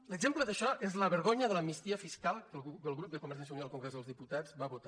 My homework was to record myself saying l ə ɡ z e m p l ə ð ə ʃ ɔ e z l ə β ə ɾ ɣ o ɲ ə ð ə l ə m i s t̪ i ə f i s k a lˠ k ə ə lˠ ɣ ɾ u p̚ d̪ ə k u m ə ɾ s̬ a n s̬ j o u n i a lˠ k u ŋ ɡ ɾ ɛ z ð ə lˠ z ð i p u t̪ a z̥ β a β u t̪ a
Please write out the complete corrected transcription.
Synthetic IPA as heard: l ə ɡ z e m p l ə ð ə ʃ ɔ e z l ə β ə ɾ ɣ o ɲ ə ð ə l ə m i s t̪ i ə f i s k a lˠ k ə ə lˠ ɣ ɾ u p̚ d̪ ə k u m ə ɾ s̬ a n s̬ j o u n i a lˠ k u ŋ ɡ ɾ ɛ z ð ə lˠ z ð i p u t̪ a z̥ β a β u t̪ a